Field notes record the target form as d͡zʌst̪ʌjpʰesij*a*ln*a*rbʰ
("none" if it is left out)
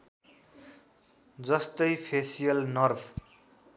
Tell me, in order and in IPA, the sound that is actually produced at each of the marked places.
ʌ, ʌ

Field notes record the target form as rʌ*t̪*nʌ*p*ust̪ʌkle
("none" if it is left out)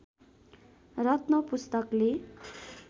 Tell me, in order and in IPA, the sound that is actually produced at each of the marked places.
t̪, p

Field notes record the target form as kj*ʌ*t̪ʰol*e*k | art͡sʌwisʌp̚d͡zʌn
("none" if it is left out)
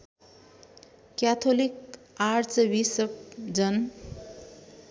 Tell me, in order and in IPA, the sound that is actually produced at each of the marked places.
a, i

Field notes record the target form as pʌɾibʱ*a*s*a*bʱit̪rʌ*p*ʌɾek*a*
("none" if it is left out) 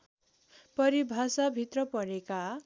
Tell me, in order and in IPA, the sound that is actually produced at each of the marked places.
a, a, p, a

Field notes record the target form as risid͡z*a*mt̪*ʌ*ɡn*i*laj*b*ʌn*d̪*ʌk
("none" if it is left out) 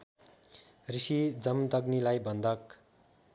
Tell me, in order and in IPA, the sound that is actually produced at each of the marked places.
ʌ, ʌ, i, b, d̪

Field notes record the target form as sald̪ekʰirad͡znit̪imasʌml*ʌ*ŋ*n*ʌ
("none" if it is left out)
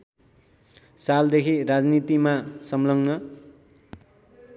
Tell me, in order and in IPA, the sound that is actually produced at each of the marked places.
ʌ, n

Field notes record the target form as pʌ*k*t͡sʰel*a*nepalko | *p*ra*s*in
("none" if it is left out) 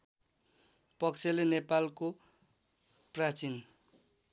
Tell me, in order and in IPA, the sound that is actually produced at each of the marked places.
k, e, p, t͡s

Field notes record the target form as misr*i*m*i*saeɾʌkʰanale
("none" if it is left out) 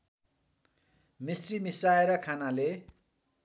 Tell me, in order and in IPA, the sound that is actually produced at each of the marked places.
i, i

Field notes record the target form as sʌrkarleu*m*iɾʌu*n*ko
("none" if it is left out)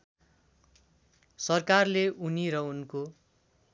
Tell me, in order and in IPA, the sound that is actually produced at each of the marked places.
n, n

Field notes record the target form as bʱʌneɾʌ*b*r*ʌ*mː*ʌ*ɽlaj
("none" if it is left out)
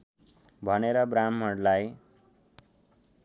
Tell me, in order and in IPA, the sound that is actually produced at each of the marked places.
b, a, ʌ

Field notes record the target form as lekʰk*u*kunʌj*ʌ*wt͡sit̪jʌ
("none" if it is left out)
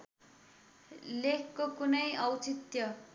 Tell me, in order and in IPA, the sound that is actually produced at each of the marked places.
o, ʌ

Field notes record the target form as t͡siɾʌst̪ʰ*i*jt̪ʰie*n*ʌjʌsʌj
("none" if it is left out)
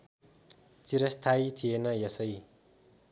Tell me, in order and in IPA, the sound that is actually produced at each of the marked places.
a, n

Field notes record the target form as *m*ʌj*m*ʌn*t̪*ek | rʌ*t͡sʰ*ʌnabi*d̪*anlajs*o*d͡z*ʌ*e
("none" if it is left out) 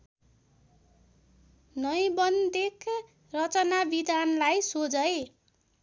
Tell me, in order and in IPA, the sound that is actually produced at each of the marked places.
n, b, d̪, t͡s, d̪, o, ʌ

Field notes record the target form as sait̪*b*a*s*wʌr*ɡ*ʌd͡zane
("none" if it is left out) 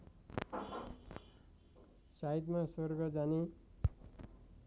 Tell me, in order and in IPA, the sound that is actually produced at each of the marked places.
m, s, ɡ

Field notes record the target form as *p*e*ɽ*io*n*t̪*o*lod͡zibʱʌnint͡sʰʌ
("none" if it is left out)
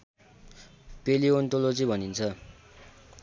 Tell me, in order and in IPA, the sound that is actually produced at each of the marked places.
p, l, n, o

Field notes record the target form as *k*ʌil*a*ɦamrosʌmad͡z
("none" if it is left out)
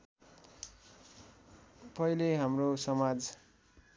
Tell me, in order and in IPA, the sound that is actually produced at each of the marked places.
p, e

